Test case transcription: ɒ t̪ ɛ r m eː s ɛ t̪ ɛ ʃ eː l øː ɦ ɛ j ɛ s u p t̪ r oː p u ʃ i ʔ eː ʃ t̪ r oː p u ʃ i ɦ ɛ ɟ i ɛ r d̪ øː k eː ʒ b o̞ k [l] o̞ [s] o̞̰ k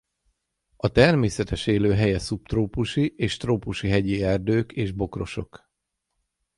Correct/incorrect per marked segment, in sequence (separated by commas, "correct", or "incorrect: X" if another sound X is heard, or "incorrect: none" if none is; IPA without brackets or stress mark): incorrect: r, incorrect: ʃ